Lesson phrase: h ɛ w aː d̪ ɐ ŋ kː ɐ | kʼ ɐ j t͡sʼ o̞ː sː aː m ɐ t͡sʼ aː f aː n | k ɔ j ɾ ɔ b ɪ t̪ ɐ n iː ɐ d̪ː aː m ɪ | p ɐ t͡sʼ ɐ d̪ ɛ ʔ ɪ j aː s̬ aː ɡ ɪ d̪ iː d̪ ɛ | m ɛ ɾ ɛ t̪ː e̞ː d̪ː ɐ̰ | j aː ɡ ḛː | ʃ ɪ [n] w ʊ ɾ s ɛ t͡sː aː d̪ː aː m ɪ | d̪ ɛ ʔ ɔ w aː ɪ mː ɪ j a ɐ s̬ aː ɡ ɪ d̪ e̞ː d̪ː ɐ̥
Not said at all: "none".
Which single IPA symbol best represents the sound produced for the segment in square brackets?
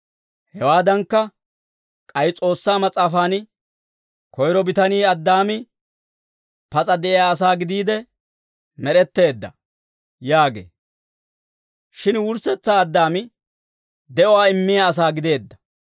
n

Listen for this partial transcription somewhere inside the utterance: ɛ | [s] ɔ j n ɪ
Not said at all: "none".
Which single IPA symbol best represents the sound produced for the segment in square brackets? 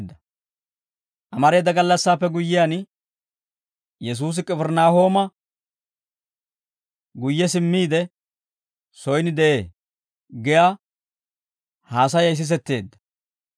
s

